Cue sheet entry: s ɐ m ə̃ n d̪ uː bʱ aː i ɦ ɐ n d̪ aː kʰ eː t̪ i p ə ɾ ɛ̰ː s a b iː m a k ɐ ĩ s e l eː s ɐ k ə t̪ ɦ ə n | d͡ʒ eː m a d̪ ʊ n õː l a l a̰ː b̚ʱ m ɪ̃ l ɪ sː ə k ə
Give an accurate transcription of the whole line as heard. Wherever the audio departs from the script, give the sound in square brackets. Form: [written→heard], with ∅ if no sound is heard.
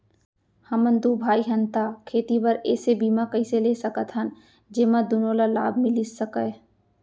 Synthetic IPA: [s→h] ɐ m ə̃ n d̪ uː bʱ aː i ɦ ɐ n [d̪→t̪] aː kʰ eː t̪ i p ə ɾ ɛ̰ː s [a→e] b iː m a k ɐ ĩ s e l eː s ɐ k ə t̪ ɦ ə n | d͡ʒ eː m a d̪ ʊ n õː l a l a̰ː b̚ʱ m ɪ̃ l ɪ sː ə k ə